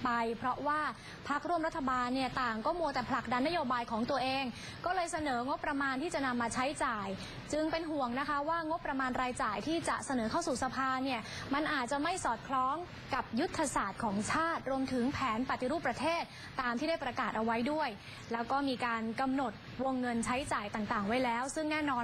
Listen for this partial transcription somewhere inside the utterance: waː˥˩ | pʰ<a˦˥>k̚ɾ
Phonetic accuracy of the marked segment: correct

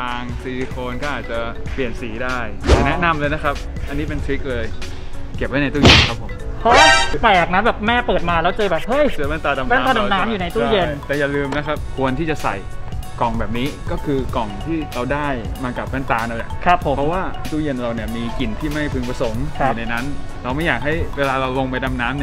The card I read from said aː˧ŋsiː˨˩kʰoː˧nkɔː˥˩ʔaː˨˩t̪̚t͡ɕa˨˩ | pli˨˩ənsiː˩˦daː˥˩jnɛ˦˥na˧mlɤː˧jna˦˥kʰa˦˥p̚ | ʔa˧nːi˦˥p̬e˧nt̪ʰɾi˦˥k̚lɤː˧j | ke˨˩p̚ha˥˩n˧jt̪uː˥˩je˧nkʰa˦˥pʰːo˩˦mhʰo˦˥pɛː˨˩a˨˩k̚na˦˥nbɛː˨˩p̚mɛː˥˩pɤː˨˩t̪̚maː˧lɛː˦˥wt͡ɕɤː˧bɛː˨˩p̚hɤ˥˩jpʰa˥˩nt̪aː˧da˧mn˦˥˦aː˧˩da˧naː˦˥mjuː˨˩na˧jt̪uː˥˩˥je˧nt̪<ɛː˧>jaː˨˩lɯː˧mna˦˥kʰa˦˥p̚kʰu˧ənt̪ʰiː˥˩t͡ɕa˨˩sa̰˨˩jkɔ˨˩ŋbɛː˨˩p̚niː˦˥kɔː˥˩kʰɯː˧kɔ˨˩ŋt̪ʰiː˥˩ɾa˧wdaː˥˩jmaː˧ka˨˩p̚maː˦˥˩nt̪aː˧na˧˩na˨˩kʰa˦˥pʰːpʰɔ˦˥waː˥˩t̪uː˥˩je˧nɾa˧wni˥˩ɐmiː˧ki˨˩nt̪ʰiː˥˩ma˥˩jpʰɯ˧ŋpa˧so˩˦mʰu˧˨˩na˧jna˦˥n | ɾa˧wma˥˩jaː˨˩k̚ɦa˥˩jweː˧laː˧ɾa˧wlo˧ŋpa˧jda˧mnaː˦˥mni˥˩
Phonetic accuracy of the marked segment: incorrect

